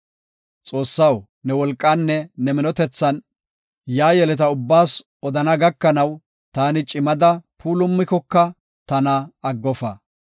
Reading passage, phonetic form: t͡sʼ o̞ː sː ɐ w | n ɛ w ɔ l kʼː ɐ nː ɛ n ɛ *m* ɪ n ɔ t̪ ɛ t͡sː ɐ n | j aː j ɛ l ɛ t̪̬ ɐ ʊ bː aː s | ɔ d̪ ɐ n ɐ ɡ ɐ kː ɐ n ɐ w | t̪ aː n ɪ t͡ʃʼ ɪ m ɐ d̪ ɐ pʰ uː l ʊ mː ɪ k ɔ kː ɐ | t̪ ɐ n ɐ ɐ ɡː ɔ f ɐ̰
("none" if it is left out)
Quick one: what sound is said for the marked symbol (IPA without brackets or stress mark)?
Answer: m